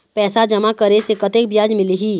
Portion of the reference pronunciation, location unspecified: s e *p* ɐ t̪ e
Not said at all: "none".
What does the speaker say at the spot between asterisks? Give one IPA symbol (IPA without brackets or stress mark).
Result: k